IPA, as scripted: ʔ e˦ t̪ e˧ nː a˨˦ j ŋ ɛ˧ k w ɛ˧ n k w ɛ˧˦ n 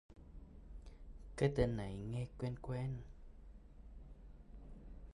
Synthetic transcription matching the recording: k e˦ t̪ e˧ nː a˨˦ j ŋ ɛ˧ k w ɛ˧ n k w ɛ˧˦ n

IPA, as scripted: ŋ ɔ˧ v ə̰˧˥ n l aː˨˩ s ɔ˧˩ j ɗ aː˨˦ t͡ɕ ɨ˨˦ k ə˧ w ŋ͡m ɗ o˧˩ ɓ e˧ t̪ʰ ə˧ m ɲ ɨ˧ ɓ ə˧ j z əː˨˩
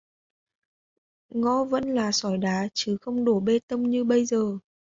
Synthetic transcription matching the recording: ŋ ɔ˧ v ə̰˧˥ n l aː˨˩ s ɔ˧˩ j ɗ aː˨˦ t͡ɕ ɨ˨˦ x ə˧ w ŋ͡m ɗ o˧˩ ɓ e˧ t̪ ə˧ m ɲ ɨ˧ ɓ ə˧ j z əː˨˩

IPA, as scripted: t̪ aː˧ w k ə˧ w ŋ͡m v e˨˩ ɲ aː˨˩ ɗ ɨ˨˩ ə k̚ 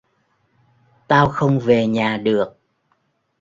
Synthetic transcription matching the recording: t̪ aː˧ w x ə˧ w ŋ͡m v e˨˩ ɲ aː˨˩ ɗ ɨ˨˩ ə k̚

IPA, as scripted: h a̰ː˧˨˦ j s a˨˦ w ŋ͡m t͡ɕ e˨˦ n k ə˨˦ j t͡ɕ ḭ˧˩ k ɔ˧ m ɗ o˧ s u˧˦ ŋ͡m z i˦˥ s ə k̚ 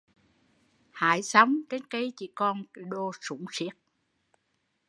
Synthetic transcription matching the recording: h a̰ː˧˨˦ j s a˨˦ w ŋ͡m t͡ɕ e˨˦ n k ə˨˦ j t͡ɕ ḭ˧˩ k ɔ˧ n ɗ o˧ s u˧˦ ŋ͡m s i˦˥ ə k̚

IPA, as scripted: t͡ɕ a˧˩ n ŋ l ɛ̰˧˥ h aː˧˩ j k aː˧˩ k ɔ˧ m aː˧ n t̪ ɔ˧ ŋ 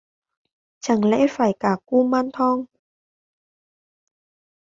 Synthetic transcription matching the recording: t͡ɕ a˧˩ ŋ l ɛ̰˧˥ f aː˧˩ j k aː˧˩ k u˧ m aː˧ n t̪ʰ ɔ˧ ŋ

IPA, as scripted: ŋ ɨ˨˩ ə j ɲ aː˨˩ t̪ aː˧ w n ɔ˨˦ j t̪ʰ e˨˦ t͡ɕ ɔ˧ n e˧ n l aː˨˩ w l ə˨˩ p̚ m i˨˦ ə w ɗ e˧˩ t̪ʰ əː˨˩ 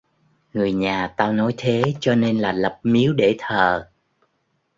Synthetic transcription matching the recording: ŋ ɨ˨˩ ə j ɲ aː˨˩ t̪ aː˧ w n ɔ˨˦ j t̪ʰ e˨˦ t͡ɕ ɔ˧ n e˧ n l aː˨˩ l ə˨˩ p̚ m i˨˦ ə w ɗ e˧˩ t̪ʰ əː˨˩

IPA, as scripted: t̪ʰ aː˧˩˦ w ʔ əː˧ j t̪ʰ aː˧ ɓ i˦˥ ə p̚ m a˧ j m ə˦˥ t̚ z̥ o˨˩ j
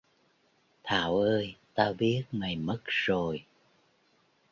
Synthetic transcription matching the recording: t̪ʰ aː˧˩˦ w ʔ əː˧ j t̪ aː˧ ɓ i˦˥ ə t̚ m a˨˩ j m ə˦˥ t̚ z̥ o˨˩ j

